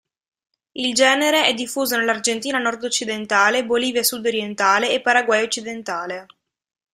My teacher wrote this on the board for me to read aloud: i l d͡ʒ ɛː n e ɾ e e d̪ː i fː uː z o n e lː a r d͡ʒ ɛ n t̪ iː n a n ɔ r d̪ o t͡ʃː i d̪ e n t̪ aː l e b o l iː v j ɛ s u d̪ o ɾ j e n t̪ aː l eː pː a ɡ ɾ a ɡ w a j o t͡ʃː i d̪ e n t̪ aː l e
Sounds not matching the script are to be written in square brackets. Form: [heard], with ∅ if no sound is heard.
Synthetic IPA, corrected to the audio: i l d͡ʒ ɛː n e ɾ e [ɛ] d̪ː i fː uː z o n e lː a r d͡ʒ [e] n t̪ iː n a n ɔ r d̪ o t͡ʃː i d̪ e n t̪ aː l e b o l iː v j [a] s u d̪ o ɾ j e n t̪ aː l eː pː a [∅] ɾ a ɡ w a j o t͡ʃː i d̪ e n t̪ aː l e